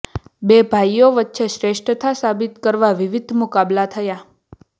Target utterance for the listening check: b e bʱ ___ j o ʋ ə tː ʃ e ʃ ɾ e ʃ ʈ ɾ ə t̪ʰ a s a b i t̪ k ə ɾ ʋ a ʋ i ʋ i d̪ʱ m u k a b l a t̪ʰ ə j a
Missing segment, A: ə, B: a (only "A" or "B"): B